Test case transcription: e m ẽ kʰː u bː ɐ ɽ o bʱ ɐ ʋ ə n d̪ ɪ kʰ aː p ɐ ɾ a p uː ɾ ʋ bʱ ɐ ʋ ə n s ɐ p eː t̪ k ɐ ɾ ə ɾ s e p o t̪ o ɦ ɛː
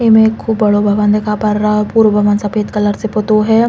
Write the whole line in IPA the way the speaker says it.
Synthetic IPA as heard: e m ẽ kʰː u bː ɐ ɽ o bʱ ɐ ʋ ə n d̪ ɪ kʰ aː p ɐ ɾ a p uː ɾ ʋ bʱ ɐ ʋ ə n s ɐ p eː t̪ k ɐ l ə ɾ s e p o t̪ o ɦ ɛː